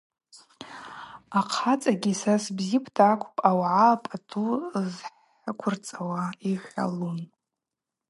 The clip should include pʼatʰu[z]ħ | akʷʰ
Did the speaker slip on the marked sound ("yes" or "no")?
no